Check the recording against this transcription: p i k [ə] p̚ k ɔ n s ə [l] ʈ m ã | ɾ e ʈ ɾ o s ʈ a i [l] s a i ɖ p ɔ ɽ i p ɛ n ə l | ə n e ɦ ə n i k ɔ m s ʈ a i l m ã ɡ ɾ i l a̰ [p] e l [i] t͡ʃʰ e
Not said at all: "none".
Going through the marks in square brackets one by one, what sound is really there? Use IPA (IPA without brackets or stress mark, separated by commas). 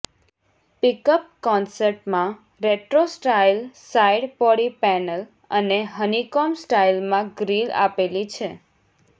ə, ɾ, l, p, i